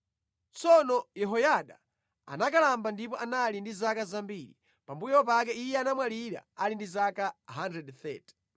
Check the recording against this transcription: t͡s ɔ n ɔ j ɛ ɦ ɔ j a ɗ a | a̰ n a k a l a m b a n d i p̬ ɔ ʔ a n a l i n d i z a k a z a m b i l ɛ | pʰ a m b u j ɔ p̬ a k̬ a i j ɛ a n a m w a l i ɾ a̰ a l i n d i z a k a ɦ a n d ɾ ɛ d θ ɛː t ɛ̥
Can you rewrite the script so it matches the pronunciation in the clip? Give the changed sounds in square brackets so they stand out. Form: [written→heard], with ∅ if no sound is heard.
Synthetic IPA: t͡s ɔ n ɔ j ɛ ɦ ɔ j a ɗ a | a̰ n a k a l a m b a n d i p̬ ɔ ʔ a n a l i n d i z a k a z a m b i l [ɛ→i] | [pʰ→p] a m b u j ɔ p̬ a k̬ [a→ɛ] i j ɛ a n a m w a l i ɾ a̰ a l i n d i z a k a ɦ a n d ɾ ɛ d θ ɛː t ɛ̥